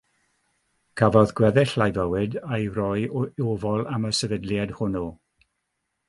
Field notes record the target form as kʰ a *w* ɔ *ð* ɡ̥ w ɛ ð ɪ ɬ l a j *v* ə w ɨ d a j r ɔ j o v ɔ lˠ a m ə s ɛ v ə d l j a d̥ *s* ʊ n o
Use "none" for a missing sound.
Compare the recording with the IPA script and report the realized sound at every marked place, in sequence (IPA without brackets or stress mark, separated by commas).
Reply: v, ð, v, h